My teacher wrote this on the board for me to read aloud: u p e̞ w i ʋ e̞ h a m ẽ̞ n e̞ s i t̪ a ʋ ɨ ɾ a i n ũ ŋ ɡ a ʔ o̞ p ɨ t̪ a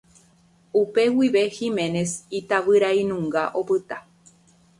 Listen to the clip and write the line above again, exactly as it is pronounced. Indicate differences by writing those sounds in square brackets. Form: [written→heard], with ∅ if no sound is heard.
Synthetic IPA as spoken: u p e̞ w i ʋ e̞ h [a→i] m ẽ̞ n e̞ s i t̪ a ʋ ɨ ɾ a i n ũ ŋ ɡ a ʔ o̞ p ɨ t̪ a